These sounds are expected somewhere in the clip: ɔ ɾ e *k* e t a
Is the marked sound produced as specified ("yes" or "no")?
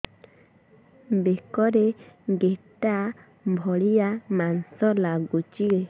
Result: no